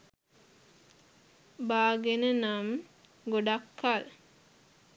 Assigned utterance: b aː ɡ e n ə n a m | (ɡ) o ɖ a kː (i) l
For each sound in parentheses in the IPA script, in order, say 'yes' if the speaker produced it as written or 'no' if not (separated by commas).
yes, no